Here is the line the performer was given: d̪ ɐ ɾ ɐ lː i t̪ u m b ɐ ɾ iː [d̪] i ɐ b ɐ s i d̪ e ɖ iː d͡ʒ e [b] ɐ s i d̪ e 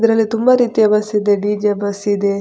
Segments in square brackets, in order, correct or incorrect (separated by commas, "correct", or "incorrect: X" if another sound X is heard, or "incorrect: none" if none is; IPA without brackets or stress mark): incorrect: t̪, correct